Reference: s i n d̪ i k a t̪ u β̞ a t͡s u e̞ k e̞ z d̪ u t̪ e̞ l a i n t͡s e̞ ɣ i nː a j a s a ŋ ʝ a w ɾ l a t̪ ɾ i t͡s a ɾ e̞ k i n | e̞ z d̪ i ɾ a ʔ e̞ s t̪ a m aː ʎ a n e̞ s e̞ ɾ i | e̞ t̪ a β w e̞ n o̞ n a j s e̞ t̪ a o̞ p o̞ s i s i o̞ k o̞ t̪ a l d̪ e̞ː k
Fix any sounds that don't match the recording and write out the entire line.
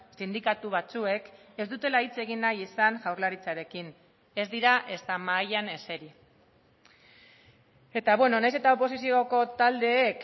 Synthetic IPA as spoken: s i n d̪ i k a t̪ u β̞ a t͡s u e̞ k e̞ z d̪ u t̪ e̞ l a i t͡s e̞ ɣ i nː a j i s a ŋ ʝ a w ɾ l a ɾ i t͡s a ɾ e̞ k i n | e̞ z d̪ i ɾ a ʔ e̞ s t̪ a m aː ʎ a n e̞ s e̞ ɾ i | e̞ t̪ a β w e̞ n o̞ n a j s e̞ t̪ a o̞ p o̞ s i s i o̞ k o̞ t̪ a l d̪ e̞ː k